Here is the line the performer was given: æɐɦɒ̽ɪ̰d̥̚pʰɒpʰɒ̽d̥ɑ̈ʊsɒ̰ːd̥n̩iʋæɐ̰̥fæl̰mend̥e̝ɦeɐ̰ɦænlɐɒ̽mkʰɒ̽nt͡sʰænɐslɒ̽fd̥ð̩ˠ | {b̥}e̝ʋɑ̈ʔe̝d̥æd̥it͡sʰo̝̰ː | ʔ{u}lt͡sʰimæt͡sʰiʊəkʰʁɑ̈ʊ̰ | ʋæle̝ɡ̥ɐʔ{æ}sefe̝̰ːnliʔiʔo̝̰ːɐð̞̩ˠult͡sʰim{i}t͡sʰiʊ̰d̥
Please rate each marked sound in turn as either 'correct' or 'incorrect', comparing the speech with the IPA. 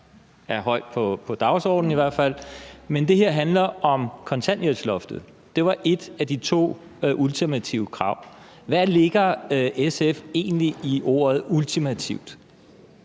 incorrect: d̥, correct, incorrect: e, incorrect: æ

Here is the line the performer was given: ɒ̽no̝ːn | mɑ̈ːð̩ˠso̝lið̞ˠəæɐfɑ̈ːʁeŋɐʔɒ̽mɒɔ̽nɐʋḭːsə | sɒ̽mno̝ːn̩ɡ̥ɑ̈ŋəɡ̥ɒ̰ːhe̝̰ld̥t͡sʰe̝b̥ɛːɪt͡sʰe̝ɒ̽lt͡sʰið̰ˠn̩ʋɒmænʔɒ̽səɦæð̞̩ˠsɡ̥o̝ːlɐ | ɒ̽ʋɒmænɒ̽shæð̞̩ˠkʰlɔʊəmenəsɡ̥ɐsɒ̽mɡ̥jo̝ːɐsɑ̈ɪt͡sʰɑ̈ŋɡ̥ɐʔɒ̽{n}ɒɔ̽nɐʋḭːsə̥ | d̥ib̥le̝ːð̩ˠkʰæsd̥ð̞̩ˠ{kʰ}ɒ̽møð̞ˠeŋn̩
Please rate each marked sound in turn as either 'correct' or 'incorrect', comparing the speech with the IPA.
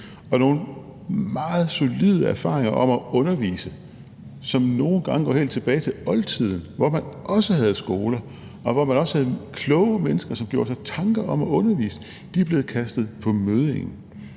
incorrect: m, incorrect: pʰ

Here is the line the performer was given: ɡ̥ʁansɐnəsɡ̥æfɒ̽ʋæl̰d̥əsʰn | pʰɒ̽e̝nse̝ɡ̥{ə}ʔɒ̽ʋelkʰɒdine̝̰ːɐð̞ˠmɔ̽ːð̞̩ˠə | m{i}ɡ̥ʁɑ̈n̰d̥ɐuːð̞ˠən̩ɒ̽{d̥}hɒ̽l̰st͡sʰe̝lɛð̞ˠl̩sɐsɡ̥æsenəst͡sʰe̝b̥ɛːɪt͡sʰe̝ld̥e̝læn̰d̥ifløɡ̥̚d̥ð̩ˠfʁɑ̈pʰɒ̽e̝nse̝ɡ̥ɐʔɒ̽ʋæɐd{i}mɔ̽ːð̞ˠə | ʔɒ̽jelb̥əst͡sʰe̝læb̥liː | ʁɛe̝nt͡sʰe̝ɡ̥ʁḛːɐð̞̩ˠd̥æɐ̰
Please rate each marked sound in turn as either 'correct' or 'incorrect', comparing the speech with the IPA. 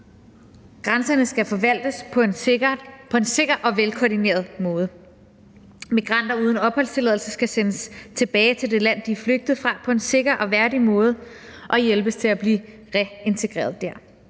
incorrect: ɐ, correct, incorrect: b̥, correct

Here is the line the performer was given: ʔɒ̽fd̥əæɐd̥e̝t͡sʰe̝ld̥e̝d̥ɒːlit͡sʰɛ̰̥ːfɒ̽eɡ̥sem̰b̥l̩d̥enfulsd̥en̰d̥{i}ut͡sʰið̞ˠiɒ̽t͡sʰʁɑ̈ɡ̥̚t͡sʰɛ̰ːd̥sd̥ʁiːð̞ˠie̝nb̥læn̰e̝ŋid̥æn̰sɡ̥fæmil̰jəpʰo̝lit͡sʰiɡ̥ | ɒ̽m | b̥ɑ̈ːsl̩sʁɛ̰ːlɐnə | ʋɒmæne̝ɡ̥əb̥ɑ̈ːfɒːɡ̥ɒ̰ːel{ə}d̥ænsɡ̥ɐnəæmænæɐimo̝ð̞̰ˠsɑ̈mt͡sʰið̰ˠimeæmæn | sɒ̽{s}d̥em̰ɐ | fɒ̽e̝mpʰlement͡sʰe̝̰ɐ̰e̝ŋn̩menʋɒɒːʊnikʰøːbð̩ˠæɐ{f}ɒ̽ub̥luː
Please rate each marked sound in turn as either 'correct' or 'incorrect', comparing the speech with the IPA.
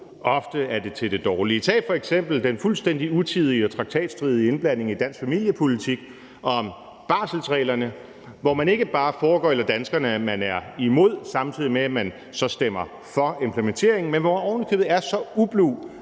correct, incorrect: ɐ, correct, incorrect: s

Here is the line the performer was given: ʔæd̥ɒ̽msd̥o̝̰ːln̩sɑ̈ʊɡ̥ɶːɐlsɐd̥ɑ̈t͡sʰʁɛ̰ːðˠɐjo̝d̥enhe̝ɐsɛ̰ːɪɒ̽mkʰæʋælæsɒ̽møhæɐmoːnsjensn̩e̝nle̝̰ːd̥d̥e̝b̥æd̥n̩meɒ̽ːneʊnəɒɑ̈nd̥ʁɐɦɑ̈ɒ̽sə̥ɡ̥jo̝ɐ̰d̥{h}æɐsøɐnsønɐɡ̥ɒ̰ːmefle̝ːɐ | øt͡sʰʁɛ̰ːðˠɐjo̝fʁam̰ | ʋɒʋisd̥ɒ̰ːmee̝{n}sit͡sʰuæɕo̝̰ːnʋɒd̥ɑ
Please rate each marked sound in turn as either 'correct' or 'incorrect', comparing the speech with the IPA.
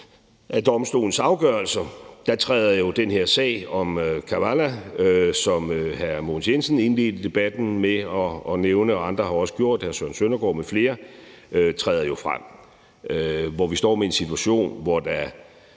correct, correct

